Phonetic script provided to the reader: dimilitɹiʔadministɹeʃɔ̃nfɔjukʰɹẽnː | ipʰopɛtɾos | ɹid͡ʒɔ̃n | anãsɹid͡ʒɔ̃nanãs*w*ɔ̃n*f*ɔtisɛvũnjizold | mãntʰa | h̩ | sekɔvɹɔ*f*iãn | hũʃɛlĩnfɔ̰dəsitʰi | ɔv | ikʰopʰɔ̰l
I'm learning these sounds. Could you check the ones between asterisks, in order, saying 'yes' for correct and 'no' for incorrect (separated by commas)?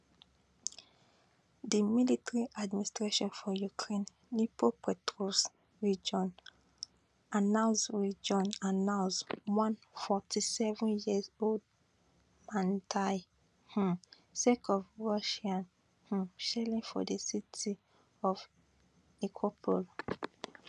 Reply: yes, yes, no